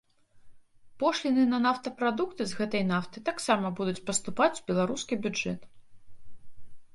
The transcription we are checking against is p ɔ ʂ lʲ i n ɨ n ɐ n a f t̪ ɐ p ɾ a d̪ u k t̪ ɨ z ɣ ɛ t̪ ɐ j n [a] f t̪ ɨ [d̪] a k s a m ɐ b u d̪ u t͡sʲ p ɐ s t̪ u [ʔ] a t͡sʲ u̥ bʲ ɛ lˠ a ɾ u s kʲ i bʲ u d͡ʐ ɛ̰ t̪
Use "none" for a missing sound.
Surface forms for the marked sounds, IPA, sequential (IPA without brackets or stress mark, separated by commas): a, t̪, p